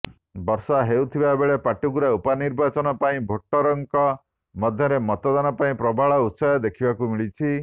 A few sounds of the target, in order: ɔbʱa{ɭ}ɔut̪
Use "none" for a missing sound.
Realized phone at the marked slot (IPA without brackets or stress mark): ɭ